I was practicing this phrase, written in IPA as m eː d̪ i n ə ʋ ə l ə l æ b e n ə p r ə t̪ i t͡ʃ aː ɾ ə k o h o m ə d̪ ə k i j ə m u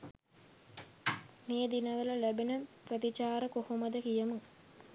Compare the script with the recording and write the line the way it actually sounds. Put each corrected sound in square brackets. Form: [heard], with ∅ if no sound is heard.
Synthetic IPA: m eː d̪ i n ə ʋ ə l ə l æ b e n ə p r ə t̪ i t͡ʃ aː ɾ ə k o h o m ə d̪ ə k i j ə m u